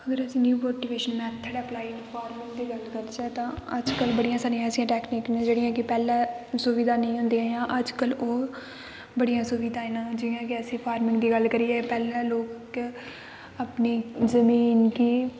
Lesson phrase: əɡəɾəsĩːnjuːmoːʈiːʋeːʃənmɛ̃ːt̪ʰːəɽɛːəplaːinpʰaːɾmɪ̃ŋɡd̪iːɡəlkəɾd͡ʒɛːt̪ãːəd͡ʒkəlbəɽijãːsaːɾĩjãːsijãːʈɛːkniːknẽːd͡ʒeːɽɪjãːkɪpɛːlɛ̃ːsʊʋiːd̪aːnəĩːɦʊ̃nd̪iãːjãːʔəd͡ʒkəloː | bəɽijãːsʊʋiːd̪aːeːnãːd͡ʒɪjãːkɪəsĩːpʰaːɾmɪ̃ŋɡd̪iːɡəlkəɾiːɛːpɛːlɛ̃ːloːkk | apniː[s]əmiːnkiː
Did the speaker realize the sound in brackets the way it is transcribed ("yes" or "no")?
no